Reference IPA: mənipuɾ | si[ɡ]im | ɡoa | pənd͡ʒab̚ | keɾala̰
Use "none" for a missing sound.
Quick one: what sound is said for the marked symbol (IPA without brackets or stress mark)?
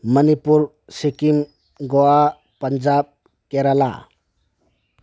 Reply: k